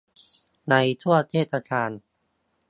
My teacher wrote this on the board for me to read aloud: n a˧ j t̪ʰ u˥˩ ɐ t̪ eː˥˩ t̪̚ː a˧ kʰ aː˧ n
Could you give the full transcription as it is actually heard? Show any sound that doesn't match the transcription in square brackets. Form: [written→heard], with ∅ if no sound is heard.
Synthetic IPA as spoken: n a˧ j t̪ʰ u˥˩ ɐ [t̪→t̪ʰ] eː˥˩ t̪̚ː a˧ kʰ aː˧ n